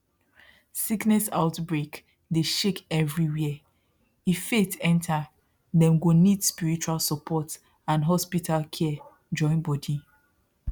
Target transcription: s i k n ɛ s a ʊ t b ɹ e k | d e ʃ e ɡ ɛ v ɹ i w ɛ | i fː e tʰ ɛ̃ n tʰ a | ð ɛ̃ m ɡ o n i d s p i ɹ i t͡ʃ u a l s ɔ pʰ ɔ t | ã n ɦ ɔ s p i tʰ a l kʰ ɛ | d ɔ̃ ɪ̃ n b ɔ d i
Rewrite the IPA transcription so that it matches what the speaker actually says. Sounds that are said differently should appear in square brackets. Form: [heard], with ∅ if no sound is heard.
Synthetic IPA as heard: s i k n ɛ s a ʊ t b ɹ e k | d e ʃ e [k] ɛ v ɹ i w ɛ | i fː e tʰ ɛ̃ n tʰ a | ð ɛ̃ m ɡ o n i d s p i ɹ i t͡ʃ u a l s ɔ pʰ ɔ t | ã n ɦ ɔ s p i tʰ a l kʰ ɛ | [d͡ʒ] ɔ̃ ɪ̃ n b ɔ d i